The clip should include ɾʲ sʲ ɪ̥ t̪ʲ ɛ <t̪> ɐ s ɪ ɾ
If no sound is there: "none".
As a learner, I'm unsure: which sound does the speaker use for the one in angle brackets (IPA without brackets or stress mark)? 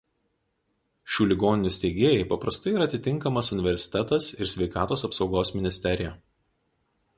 t̪